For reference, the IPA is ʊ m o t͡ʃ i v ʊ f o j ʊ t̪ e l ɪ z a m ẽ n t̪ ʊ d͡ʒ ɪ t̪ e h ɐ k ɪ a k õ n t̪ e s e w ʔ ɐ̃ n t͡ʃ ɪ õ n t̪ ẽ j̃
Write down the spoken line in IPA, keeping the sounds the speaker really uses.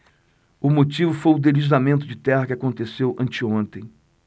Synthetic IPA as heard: ʊ m o t͡ʃ i v ʊ f o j ʊ d̪ e l i z a m ẽ n t̪ ʊ d͡ʒ ɪ t̪ ɛ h ɐ k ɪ a k õ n t̪ e s e w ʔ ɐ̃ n t͡ʃ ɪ õ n t̪ ẽ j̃